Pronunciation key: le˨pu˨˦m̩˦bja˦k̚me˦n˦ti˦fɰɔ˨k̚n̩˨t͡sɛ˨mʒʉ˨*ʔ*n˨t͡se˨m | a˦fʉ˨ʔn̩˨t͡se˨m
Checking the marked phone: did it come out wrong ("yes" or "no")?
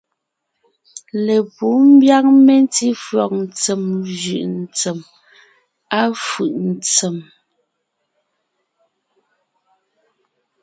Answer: no